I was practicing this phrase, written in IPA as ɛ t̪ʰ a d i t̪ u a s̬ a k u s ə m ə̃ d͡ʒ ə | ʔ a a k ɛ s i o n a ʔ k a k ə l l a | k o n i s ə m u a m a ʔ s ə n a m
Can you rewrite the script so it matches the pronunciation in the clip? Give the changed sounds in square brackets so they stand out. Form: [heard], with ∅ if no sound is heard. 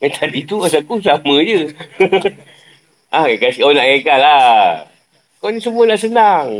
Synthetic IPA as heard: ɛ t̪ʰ a d i t̪ u a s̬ a k u s [a] m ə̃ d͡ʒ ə | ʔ a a k [a] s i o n a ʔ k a k [a] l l a | k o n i s ə m u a [n] a ʔ s ə n a [ŋ]